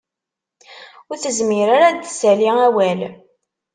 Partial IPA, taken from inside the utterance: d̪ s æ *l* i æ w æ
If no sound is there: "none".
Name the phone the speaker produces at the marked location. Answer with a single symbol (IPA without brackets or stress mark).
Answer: l